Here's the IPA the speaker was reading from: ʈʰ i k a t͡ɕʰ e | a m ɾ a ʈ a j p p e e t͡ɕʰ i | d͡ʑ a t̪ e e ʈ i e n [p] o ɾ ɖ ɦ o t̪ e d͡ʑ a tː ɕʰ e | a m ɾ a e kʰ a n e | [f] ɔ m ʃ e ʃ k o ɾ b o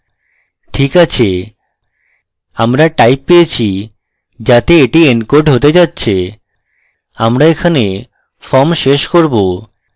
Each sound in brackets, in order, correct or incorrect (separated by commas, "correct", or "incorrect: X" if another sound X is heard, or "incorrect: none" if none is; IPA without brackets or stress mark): incorrect: k, correct